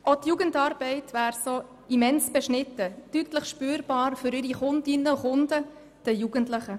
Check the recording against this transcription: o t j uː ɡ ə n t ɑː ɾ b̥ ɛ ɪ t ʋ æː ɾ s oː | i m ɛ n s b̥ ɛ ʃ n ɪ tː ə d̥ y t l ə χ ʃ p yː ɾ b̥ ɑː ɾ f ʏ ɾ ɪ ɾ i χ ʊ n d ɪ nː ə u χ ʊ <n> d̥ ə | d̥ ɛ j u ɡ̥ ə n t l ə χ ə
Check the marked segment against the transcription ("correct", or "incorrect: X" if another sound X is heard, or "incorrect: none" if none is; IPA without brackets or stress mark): correct